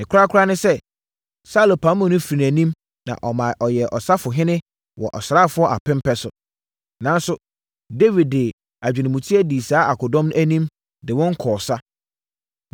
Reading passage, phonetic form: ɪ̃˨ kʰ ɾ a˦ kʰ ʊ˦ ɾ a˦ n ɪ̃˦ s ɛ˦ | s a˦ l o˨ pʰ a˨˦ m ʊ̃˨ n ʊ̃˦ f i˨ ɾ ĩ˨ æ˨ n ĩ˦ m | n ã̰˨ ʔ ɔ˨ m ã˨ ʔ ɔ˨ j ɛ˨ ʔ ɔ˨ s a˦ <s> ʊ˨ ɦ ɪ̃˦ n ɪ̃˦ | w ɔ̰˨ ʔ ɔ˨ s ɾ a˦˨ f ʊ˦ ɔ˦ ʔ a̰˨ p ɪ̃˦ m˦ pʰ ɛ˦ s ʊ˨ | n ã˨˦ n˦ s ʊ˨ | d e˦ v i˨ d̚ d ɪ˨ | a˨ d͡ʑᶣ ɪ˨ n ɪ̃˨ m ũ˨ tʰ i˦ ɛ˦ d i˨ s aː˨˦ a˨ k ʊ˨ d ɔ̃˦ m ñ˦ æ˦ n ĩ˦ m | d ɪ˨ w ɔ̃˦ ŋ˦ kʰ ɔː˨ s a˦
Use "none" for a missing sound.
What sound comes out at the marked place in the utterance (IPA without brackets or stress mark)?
f